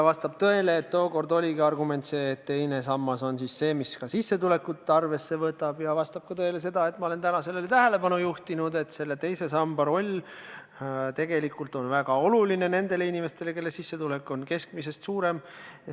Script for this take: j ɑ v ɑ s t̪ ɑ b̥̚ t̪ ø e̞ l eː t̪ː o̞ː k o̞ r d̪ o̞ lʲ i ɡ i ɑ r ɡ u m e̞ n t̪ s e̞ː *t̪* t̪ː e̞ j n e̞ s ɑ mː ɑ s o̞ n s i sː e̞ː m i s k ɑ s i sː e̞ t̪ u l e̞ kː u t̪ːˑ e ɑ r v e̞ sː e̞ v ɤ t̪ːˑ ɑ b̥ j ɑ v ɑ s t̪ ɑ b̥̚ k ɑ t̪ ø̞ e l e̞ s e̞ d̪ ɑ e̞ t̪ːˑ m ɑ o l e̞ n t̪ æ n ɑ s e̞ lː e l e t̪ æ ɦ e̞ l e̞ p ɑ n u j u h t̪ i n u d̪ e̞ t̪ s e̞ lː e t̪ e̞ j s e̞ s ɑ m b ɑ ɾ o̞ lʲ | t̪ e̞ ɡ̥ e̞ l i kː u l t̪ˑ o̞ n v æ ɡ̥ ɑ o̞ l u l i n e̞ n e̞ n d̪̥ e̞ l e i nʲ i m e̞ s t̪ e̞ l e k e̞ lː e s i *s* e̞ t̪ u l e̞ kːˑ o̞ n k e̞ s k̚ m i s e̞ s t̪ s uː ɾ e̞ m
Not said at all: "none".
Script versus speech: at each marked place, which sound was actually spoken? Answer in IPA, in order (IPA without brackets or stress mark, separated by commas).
t̪, sː